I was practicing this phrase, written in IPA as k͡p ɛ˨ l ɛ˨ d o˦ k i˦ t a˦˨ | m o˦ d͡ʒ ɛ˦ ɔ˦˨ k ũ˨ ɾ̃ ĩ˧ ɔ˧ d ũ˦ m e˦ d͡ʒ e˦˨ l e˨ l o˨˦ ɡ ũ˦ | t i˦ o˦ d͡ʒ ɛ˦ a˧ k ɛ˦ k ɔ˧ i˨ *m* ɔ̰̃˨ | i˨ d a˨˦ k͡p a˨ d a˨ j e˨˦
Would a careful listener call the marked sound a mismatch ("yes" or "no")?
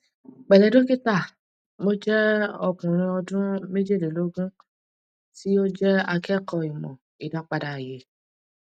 no